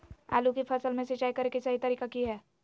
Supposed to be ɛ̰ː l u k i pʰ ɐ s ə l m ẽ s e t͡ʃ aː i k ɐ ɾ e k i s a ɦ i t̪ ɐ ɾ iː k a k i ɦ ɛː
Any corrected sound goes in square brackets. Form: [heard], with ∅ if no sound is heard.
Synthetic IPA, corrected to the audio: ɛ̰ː l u k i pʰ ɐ s ə l m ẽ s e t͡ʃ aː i k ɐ ɾ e k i s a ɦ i t̪ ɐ ɾ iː k a k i ɦ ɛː

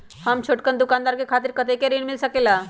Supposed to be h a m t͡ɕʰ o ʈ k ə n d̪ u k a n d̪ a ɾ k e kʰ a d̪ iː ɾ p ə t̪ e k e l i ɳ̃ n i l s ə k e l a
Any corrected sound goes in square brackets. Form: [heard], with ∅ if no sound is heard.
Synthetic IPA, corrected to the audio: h a m t͡ɕʰ o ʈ k ə n d̪ u k a n d̪ a ɾ k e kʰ a [t̪] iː ɾ [k] ə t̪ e k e [ɾ] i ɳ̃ [m] i l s ə k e l a

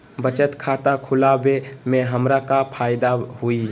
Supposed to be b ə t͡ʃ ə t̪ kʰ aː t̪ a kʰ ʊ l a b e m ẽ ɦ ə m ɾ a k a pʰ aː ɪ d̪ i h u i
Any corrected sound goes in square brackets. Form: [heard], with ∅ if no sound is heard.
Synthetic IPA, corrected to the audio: b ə t͡ʃ ə t̪ kʰ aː t̪ a kʰ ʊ l a b e m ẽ ɦ ə m ɾ a k a pʰ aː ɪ d̪ [a] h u i

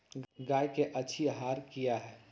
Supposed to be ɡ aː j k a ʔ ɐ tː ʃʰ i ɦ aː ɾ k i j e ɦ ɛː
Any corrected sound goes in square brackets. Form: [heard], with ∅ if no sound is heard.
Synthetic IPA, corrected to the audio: ɡ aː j k [e] ʔ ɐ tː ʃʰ i ɦ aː ɾ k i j [a] ɦ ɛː

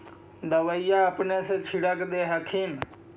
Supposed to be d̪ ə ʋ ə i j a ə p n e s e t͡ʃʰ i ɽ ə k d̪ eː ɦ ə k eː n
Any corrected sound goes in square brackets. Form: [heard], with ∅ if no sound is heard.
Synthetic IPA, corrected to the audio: d̪ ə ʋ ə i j a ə p n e s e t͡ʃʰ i ɽ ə k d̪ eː ɦ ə [kʰ] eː n

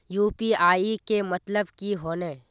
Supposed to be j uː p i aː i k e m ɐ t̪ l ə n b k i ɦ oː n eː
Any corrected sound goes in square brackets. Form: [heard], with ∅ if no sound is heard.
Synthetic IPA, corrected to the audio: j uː p i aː i k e m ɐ t̪ l ə [∅] b k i ɦ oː n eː

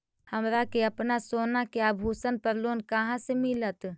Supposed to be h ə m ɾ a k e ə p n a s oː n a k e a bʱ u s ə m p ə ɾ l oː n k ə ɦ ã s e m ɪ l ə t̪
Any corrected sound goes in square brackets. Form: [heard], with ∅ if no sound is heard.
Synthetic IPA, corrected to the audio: h ə m ɾ a k e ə p n a s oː n a k e a bʱ u s ə [n] p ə ɾ l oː n k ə ɦ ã s e m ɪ l ə t̪

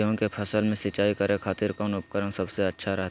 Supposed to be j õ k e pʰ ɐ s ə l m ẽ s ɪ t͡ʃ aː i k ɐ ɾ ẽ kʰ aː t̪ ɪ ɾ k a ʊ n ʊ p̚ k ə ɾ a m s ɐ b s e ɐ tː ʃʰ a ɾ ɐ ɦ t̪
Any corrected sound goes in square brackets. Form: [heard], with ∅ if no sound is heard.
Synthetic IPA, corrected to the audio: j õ k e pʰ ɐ s ə l m ẽ s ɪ t͡ʃ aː i k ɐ ɾ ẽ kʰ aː t̪ ɪ ɾ k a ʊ n ʊ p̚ k ə ɾ [ə] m s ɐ b s e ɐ tː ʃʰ a ɾ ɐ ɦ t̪

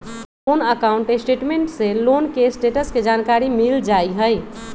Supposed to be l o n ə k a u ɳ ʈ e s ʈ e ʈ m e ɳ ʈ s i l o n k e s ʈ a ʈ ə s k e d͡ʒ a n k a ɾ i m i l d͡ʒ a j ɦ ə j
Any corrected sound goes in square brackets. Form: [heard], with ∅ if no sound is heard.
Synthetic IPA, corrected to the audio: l o n ə k a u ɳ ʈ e s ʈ e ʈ m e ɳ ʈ s [e] l o n k e s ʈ [e] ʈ ə s k e d͡ʒ a n k a ɾ i m i l d͡ʒ a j ɦ ə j

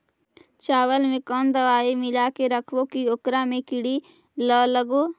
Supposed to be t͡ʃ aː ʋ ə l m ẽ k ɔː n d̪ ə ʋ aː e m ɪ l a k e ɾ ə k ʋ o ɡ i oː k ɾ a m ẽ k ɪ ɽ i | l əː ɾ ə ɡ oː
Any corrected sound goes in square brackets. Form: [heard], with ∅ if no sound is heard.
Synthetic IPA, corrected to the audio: t͡ʃ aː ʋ ə l m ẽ k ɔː n d̪ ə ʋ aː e m ɪ l a k e ɾ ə [kʰ] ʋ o [k] i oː k ɾ a m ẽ k ɪ ɽ i | l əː [l] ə ɡ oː

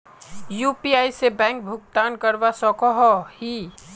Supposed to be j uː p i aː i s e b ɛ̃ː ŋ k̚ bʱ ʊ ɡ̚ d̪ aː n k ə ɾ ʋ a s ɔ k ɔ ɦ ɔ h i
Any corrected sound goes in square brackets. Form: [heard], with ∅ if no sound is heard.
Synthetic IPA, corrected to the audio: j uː p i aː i s e b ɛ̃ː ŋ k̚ bʱ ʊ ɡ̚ [t̪] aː n k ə ɾ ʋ a s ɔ k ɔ ɦ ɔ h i

